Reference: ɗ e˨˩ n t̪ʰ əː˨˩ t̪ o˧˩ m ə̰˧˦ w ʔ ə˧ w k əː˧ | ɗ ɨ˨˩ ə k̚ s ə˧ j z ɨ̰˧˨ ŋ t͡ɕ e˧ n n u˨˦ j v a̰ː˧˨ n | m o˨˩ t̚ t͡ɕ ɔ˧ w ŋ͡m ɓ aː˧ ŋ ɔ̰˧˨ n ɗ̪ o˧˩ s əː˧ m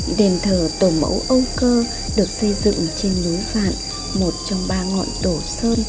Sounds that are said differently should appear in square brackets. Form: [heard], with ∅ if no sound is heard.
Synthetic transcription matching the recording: ɗ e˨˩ n t̪ʰ əː˨˩ t̪ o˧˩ m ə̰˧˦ w ʔ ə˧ w k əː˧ | ɗ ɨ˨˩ ə k̚ s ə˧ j z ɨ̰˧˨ ŋ t͡ɕ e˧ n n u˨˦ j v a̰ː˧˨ n | m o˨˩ t̚ t͡ɕ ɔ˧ w ŋ͡m ɓ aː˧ ŋ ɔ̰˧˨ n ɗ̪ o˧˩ s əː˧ [n]

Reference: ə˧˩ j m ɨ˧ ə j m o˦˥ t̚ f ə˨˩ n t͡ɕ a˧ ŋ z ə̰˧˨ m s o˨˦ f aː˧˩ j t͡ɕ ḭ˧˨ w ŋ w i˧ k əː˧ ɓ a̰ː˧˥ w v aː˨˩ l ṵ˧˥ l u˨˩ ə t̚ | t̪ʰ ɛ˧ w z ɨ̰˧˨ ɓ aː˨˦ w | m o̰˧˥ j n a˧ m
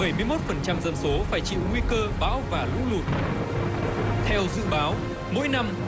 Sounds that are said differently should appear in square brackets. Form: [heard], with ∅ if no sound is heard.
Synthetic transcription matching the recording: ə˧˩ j m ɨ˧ ə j m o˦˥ t̚ f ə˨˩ n t͡ɕ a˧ [m] z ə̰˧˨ m s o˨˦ f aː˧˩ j t͡ɕ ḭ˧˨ w ŋ w i˧ k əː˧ ɓ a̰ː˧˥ w v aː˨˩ l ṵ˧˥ l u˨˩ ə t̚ | t̪ʰ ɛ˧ w z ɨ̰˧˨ ɓ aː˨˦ w | m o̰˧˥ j n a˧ m

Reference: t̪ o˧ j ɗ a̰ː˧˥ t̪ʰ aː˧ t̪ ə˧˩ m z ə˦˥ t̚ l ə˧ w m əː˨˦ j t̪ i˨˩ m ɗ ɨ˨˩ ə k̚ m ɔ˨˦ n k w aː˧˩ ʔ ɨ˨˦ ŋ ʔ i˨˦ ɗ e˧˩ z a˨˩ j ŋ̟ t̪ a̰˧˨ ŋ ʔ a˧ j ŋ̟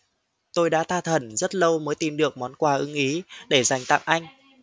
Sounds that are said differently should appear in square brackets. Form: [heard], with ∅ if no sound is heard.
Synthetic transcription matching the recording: t̪ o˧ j ɗ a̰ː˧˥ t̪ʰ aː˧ [t̪ʰ] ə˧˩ [n] z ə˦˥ t̚ l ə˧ w m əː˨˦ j t̪ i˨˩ m ɗ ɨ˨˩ ə k̚ m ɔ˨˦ n k w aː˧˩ ʔ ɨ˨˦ ŋ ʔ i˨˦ ɗ e˧˩ z a˨˩ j ŋ̟ t̪ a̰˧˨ ŋ ʔ a˧ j ŋ̟

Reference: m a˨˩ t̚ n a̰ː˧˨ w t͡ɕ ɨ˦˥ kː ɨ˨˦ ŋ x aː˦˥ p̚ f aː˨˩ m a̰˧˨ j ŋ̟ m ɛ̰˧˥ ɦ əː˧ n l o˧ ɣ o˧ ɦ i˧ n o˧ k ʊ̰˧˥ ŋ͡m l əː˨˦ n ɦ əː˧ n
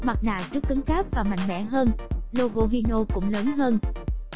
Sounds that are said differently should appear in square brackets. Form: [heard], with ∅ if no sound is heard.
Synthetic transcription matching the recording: m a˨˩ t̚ n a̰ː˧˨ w t͡ɕ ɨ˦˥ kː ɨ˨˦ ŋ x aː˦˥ p̚ [v] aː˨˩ m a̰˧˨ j ŋ̟ m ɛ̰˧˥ ɦ əː˧ n l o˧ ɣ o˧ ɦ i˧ n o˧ k ʊ̰˧˥ ŋ͡m l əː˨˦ n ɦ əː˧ n

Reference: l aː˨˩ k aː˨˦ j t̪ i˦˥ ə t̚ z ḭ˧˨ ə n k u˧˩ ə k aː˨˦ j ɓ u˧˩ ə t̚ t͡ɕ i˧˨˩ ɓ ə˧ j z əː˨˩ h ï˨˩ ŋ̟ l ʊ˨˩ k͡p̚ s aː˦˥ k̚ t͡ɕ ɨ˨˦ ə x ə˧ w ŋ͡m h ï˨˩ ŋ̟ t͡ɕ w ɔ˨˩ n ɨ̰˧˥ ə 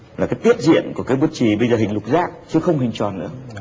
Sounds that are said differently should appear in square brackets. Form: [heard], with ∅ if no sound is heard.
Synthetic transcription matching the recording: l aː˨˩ k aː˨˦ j t̪ i˦˥ ə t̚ z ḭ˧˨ ə n k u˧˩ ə k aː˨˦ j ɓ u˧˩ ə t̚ t͡ɕ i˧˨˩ ɓ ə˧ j z əː˨˩ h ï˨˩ ŋ̟ l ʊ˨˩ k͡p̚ [z] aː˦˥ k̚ t͡ɕ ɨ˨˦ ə x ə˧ w ŋ͡m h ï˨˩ ŋ̟ t͡ɕ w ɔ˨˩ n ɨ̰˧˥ ə

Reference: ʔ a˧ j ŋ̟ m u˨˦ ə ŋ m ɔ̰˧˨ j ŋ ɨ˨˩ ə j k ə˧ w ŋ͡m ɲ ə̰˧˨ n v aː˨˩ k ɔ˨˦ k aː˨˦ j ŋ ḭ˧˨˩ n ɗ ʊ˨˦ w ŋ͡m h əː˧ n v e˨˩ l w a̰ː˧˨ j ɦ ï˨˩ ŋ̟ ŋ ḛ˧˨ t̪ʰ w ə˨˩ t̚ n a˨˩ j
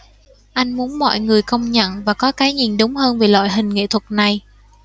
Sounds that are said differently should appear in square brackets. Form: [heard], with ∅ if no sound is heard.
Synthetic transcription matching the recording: ʔ a˧ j ŋ̟ m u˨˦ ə [n] m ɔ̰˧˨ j ŋ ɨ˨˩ ə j k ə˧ w ŋ͡m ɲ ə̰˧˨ n v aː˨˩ k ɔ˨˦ k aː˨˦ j [ɲ] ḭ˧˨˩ n ɗ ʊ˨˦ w ŋ͡m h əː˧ n v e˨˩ l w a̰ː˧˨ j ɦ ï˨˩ ŋ̟ ŋ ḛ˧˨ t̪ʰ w ə˨˩ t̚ n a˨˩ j

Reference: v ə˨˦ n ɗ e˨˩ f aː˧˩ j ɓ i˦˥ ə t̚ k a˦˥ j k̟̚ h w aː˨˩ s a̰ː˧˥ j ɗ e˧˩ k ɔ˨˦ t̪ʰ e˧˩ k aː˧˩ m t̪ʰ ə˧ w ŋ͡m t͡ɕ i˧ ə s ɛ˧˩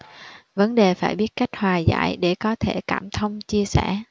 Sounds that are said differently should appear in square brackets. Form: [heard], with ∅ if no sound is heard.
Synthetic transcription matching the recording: v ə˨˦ n ɗ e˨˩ f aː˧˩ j ɓ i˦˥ ə t̚ k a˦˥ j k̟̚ h w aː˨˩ [z] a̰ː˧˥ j ɗ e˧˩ k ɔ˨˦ t̪ʰ e˧˩ k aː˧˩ m t̪ʰ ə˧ w ŋ͡m t͡ɕ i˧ ə s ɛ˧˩

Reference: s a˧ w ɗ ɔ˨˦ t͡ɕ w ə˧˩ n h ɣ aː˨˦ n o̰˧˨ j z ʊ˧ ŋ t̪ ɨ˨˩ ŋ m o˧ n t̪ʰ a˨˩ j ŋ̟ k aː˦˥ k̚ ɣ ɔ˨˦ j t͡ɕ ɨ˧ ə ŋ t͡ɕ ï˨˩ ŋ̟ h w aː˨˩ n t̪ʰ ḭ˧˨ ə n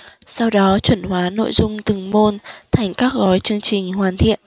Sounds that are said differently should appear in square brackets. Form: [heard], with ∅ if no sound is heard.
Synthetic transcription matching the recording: s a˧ w ɗ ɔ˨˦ t͡ɕ w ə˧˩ n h [w] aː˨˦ n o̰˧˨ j z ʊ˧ [ŋ͡m] t̪ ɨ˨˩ ŋ m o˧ n t̪ʰ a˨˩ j ŋ̟ k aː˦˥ k̚ ɣ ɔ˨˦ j t͡ɕ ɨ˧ ə ŋ t͡ɕ ï˨˩ ŋ̟ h w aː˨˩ n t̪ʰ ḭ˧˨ ə n

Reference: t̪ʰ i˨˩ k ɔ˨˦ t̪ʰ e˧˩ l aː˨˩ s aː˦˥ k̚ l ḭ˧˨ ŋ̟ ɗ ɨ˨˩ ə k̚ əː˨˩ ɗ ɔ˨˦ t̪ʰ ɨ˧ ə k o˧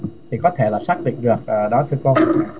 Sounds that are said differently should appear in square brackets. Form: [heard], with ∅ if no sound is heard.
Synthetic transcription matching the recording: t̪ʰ i˨˩ k ɔ˨˦ t̪ʰ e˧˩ l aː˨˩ s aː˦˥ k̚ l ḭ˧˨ ŋ̟ ɗ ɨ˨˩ ə k̚ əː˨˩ ɗ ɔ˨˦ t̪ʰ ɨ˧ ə k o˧

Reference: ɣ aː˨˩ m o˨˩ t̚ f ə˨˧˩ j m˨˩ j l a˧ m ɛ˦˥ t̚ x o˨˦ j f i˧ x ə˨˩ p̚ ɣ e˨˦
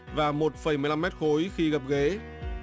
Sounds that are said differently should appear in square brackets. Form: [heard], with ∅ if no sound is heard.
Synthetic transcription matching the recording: [v] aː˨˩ m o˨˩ t̚ f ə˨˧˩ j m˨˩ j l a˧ m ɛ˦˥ t̚ x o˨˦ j [x] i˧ [ɣ] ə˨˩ p̚ ɣ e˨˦

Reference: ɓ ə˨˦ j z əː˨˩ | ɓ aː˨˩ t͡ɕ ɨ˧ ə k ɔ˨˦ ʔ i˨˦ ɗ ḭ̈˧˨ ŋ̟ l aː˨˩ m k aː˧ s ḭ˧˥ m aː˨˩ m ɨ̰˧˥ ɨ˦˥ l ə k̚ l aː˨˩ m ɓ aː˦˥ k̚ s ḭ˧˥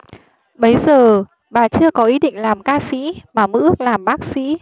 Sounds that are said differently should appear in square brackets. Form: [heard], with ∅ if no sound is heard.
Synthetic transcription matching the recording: ɓ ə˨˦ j z əː˨˩ | ɓ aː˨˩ t͡ɕ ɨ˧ ə k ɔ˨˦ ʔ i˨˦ ɗ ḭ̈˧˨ ŋ̟ l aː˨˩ m k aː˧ s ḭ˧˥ m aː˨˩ m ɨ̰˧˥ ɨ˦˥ [∅] ə k̚ l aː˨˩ m ɓ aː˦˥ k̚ s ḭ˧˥

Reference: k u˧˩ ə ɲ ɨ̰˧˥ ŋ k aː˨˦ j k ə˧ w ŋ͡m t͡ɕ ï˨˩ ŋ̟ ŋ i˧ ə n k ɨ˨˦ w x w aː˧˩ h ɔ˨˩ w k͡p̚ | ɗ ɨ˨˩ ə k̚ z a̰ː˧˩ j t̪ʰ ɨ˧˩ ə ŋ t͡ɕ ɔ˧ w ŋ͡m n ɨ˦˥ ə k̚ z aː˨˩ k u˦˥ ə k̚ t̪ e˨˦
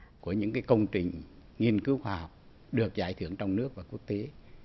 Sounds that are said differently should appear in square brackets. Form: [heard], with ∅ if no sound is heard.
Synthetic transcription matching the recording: k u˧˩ ə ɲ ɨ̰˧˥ ŋ k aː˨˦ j k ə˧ w ŋ͡m t͡ɕ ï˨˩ ŋ̟ ŋ i˧ ə n k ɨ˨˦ w x w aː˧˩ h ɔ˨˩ w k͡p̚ | ɗ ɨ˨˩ ə k̚ z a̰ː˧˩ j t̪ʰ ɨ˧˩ ə ŋ t͡ɕ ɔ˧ w ŋ͡m n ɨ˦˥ ə k̚ [v] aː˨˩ k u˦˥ ə k̚ t̪ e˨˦

